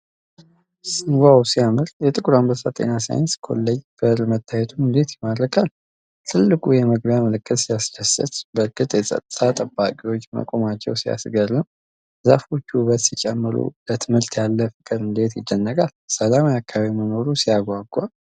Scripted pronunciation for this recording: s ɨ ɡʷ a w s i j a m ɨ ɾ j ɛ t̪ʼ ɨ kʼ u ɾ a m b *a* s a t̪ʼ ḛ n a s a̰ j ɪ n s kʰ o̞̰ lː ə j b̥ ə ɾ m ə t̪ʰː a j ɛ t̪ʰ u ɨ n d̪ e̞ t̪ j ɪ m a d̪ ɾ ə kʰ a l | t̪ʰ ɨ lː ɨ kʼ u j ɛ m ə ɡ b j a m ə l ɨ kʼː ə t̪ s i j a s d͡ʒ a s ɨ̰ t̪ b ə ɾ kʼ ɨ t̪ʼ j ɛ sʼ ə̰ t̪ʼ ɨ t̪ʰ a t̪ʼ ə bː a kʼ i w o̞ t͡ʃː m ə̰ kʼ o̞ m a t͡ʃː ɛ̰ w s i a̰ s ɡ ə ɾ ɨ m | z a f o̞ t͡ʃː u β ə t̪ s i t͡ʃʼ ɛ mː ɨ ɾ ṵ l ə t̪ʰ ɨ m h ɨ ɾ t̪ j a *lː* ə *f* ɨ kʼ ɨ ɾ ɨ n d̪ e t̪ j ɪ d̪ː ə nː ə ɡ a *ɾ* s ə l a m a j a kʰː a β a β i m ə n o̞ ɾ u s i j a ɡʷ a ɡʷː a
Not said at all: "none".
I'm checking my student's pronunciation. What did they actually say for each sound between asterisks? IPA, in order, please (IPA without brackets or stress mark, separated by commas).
ə, lː, f, l